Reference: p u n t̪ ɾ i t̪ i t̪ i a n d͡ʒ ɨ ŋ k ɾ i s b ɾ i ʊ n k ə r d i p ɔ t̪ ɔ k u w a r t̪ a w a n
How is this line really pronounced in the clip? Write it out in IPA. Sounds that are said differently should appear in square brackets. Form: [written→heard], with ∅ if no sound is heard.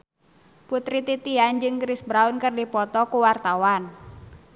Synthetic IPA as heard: p u [n→∅] t̪ ɾ i t̪ i t̪ i a n d͡ʒ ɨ ŋ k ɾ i s b ɾ [i→a] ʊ n k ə r d i p ɔ t̪ ɔ k u w a r t̪ a w a n